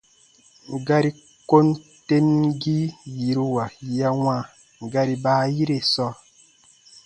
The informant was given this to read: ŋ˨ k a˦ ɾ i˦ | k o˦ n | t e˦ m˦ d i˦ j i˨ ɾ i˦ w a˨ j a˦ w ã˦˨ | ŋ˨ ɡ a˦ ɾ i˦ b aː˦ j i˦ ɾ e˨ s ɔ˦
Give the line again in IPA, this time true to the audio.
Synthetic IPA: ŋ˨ ɡ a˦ ɾ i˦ | k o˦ n | t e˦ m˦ ɡ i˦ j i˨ ɾ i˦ w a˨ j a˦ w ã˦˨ | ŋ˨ ɡ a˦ ɾ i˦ b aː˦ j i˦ ɾ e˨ s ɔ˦